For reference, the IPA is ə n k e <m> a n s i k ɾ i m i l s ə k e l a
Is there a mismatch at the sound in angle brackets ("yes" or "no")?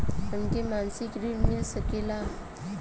no